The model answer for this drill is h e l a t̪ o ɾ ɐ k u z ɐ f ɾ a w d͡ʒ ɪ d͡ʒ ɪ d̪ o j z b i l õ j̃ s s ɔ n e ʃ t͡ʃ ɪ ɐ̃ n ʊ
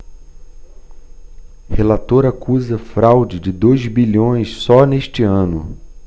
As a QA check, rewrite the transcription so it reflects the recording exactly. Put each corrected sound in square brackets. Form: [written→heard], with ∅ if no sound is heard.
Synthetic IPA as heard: h e l a t̪ o ɾ [ɐ→a] k u z ɐ f ɾ a w d͡ʒ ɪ d͡ʒ ɪ d̪ o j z b i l õ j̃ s s ɔ n e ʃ t͡ʃ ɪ ɐ̃ n ʊ